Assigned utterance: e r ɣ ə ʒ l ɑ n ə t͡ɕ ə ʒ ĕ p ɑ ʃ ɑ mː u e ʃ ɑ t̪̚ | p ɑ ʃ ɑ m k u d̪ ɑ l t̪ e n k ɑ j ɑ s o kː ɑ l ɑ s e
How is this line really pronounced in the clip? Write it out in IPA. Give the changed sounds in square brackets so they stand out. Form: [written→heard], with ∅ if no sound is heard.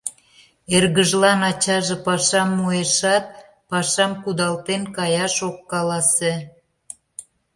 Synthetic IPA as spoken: e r ɣ ə ʒ l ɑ n [ə→ɑ] t͡ɕ [ə→ɑ] ʒ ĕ p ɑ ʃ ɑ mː u e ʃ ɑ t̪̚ | p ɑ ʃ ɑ m k u d̪ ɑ l t̪ e n k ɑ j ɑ [s→ʃ] o kː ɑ l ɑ s e

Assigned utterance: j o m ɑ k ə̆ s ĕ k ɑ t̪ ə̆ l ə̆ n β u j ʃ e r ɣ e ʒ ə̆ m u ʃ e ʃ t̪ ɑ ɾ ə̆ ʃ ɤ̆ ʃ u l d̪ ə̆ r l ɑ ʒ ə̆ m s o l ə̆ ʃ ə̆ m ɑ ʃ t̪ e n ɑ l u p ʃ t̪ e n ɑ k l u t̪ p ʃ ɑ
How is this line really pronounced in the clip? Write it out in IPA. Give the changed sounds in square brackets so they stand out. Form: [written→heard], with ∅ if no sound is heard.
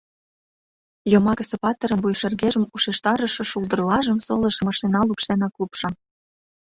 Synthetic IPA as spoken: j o m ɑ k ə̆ s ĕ [k→p] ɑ t̪ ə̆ [l→ɾ] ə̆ n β u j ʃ e r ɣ e ʒ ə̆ m u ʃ e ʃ t̪ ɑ ɾ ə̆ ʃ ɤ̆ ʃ u l d̪ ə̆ r l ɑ ʒ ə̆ m s o l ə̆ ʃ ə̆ m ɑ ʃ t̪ e n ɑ l u p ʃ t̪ e n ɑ k l u [t̪→∅] p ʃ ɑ

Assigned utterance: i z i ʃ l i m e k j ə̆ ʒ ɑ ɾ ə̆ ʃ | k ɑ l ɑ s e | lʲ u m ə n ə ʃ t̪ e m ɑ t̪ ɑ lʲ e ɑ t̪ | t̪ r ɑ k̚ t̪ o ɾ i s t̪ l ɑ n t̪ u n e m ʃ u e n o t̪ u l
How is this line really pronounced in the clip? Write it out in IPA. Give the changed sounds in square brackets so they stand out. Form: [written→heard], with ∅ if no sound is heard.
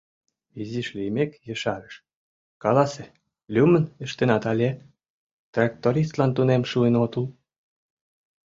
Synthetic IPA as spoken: i z i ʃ l i m e k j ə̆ [ʒ→ʃ] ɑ ɾ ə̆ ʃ | k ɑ l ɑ s e | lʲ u m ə n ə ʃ t̪ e [m→n] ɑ t̪ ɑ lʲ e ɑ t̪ | t̪ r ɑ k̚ t̪ o ɾ i s t̪ l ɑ n t̪ u n e m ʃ u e n o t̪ u l

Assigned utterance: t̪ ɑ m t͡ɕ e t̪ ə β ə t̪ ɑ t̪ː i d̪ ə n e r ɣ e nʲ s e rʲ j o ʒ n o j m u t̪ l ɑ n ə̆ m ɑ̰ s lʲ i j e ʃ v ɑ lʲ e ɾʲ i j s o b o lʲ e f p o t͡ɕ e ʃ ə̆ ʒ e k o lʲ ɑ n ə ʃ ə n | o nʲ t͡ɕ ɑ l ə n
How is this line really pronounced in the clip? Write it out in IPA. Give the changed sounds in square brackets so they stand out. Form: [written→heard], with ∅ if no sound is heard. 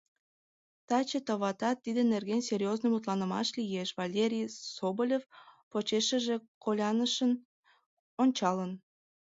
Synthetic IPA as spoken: t̪ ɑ [m→∅] t͡ɕ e t̪ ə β [ə→ɑ] t̪ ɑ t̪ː i d̪ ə n e r ɣ e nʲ s e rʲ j o [ʒ→z] n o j m u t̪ l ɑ n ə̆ m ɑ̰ [s→ʃ] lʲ i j e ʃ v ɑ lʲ e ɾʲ i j s o b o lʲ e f p o t͡ɕ e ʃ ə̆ ʒ e k o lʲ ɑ n ə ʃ ə n | o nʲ t͡ɕ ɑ l ə n

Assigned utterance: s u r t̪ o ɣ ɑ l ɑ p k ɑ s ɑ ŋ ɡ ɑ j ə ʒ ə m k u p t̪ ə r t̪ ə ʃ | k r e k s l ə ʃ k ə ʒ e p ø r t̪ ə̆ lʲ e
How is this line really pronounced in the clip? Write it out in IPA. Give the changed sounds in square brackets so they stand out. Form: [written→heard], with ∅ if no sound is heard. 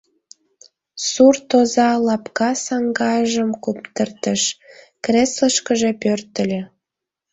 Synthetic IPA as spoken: s u r t̪ o [ɣ→z] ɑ l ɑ p k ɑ s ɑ ŋ ɡ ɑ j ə ʒ ə m k u p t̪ ə r t̪ ə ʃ | k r e [k→∅] s l ə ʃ k ə ʒ e p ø r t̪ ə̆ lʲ e

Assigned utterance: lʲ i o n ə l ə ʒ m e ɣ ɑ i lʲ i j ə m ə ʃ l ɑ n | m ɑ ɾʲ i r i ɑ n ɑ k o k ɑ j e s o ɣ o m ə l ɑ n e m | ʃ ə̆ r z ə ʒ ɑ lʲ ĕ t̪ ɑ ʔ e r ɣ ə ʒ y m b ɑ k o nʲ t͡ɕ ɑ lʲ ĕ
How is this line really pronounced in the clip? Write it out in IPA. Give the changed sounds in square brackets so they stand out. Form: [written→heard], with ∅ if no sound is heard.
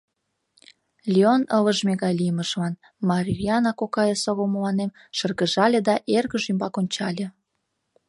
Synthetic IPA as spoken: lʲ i o n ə l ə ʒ m e ɣ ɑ [i→j] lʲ i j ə m ə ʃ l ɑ n | m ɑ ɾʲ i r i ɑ n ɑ k o k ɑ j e s o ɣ o m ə l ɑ n e m | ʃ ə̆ r [z→ɣ] ə ʒ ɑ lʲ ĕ [t̪→d̪] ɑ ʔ e r ɣ ə ʒ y m b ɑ k o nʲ t͡ɕ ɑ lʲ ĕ

